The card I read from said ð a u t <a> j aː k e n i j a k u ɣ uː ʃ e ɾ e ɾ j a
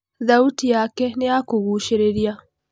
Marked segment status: incorrect: i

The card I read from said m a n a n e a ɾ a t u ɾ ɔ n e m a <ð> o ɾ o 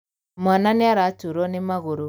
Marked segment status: incorrect: ɣ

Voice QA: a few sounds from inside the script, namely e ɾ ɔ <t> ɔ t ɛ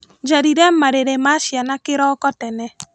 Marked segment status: incorrect: k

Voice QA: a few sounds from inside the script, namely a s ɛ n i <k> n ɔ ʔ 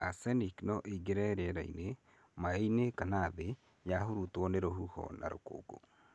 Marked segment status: correct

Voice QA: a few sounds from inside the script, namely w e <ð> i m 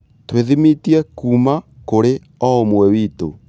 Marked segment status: correct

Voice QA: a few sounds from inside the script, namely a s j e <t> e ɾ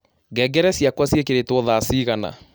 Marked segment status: incorrect: k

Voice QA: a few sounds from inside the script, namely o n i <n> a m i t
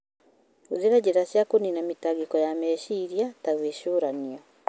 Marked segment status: correct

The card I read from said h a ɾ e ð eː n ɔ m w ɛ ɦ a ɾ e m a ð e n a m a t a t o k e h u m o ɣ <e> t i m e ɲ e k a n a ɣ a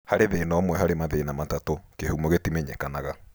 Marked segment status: correct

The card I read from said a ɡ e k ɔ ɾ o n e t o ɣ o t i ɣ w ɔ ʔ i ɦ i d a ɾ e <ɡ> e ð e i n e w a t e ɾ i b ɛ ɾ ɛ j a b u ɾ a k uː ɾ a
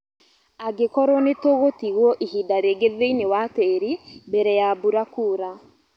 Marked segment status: correct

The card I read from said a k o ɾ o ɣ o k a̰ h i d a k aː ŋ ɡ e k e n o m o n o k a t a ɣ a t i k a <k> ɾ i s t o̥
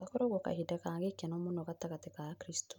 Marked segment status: correct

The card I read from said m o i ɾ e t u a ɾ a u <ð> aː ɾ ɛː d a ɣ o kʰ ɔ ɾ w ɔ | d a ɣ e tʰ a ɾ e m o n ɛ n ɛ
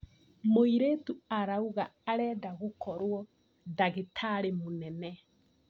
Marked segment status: incorrect: ɣ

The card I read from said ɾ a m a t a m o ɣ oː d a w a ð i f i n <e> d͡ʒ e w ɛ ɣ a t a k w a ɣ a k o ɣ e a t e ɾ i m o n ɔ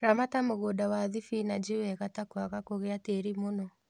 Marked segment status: incorrect: a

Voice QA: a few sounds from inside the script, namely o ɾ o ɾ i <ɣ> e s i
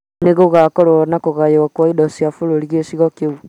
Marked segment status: correct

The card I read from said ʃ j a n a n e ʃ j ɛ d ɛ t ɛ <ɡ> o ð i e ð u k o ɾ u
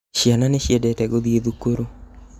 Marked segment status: correct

